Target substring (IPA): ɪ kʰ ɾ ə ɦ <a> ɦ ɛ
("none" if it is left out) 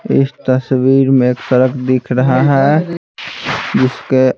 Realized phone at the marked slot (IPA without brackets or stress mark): a